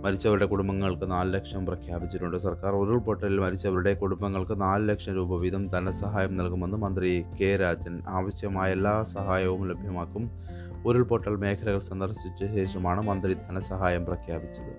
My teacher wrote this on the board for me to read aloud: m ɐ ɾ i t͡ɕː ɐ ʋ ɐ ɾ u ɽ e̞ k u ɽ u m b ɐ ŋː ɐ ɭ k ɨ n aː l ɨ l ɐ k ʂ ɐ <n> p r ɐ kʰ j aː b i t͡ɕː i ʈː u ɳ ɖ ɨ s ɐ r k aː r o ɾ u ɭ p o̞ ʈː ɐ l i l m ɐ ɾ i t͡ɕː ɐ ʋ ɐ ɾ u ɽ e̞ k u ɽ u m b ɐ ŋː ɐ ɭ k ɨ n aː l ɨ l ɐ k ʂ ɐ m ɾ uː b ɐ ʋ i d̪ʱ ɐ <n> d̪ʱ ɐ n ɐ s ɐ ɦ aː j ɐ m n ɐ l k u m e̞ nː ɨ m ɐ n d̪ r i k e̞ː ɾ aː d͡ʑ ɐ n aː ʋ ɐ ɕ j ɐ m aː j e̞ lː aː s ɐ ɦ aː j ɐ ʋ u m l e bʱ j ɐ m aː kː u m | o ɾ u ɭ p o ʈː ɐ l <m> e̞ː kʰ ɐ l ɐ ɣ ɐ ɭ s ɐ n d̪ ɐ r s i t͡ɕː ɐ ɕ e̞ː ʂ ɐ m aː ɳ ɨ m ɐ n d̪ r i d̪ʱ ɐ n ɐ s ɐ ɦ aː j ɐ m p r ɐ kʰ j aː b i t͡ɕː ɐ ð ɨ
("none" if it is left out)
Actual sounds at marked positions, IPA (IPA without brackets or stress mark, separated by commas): m, m, m